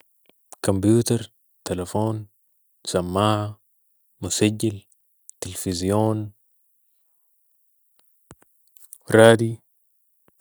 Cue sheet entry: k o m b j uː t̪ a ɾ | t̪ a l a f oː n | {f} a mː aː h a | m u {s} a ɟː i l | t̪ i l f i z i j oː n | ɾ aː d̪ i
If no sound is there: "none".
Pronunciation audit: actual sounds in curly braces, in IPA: s, s

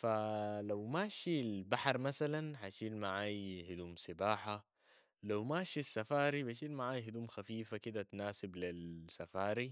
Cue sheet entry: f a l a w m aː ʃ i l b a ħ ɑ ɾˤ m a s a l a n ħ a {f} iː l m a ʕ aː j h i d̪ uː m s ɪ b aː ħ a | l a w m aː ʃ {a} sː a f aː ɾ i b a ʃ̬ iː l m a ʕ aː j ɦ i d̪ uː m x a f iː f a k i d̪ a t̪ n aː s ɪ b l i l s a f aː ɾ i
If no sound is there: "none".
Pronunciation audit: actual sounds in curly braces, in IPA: ʃ, i

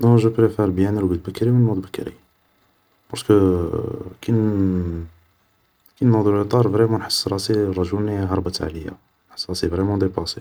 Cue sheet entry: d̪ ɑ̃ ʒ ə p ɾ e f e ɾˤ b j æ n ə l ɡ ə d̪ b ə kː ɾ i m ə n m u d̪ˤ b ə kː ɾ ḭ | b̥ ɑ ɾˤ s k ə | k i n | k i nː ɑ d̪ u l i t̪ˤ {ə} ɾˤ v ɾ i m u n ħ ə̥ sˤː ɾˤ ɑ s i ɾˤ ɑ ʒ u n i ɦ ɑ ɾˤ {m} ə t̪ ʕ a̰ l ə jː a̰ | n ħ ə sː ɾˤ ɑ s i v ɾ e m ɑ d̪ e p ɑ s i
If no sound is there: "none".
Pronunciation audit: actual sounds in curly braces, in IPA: ɑ, b

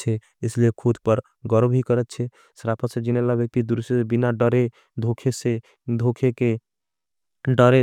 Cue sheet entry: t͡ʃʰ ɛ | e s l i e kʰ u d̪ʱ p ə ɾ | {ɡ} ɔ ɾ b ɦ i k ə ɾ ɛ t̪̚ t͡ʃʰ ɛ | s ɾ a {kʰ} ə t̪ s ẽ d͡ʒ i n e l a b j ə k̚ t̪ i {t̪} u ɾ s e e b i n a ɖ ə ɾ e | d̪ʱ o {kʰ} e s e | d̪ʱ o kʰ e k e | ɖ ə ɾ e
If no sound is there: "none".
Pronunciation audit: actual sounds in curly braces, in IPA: ɡ, pʰ, d̪, kʰ

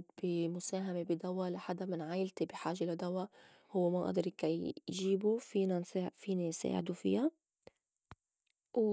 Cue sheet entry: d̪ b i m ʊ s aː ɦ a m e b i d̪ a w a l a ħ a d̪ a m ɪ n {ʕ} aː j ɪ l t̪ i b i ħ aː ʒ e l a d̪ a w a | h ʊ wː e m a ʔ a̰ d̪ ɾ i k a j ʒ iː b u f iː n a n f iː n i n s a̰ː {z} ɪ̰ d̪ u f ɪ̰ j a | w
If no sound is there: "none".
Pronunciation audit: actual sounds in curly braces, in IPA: ʕ, ʕ

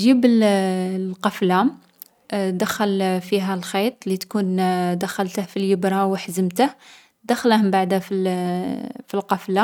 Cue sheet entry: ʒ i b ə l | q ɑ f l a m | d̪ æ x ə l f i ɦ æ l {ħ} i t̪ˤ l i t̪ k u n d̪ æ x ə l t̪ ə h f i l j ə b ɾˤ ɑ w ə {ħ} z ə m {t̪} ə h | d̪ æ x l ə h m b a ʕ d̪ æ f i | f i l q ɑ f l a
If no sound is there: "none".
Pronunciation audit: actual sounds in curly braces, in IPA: x, ħ, t̪

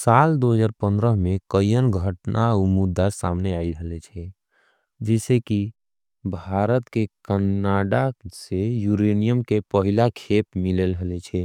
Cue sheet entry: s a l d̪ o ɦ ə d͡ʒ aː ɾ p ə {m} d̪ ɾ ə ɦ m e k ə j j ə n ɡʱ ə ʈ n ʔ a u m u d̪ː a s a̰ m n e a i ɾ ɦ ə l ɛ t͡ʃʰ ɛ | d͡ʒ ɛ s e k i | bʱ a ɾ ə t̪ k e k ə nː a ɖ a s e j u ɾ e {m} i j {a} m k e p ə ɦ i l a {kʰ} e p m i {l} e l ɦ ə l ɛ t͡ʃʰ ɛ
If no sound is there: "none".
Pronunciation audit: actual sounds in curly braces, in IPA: n, n, ə, kʰ, l

